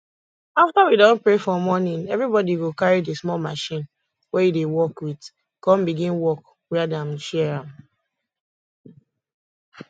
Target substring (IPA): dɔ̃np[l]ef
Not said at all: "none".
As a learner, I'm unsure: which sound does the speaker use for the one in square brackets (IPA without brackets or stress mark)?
ɹ